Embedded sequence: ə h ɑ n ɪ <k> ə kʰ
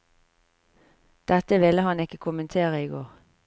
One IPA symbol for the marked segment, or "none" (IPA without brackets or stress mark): k